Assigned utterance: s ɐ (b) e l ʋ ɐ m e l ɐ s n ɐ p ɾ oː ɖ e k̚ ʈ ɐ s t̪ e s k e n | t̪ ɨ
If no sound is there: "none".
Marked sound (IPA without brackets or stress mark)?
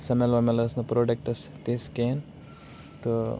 m